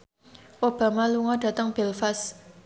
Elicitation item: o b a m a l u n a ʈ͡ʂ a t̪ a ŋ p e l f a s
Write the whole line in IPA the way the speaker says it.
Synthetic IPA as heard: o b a m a l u ŋ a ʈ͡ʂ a t̪ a ŋ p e l f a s